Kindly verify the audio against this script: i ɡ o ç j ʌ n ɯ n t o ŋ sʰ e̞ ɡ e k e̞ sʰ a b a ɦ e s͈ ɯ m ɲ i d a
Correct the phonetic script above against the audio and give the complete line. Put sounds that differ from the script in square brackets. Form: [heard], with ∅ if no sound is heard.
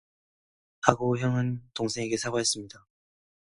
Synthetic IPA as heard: [a] ɡ o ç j ʌ [ŋ] ɯ n t o ŋ sʰ e̞ [ŋ] e [ɡ] e̞ sʰ a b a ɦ e s͈ ɯ m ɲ i d a